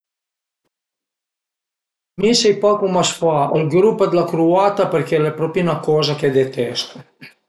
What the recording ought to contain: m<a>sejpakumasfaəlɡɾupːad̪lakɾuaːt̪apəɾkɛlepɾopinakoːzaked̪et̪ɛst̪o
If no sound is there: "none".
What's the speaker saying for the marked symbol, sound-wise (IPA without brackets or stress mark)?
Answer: i